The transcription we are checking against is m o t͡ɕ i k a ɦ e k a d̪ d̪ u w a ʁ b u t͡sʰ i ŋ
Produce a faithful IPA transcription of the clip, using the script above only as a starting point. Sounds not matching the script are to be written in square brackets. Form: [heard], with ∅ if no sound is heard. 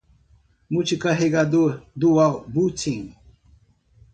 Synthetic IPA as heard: m [u] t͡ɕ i k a ɦ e [ɡ] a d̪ d̪ u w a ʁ b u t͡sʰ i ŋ